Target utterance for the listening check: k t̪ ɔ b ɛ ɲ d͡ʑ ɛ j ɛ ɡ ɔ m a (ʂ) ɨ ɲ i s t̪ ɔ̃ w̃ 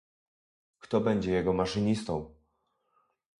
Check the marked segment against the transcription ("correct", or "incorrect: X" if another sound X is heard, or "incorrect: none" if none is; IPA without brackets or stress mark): correct